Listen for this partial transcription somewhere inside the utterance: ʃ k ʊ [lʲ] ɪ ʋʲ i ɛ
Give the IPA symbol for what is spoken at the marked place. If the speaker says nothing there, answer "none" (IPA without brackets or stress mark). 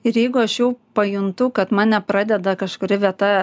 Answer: ɾʲ